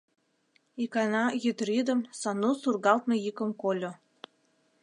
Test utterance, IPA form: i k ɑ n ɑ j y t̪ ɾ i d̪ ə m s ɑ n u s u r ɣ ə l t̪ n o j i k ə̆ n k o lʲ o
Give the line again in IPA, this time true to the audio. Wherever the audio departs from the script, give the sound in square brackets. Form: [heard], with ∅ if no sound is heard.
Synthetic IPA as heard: i k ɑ n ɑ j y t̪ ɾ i d̪ ə m s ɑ n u s u r ɣ [ɑ] l t̪ n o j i k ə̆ [m] k o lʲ o